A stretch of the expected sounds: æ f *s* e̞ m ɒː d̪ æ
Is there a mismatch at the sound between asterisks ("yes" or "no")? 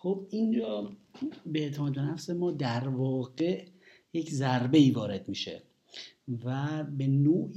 no